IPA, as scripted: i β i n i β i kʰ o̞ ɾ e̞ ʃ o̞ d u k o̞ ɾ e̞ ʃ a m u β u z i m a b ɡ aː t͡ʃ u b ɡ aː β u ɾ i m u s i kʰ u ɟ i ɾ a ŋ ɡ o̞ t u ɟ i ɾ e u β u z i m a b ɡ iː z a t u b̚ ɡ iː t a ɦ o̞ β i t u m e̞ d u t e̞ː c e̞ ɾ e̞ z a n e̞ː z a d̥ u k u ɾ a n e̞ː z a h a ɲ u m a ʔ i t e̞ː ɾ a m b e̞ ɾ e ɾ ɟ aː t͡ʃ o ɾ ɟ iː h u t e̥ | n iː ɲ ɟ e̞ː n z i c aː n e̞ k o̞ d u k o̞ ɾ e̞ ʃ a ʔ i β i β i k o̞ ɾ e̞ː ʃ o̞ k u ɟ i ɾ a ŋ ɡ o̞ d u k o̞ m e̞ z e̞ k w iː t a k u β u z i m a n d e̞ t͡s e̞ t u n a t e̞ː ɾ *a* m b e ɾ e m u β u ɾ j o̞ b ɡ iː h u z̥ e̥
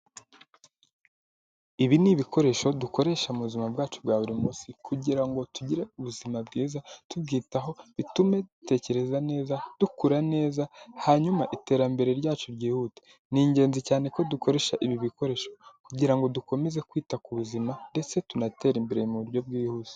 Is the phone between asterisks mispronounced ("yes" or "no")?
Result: yes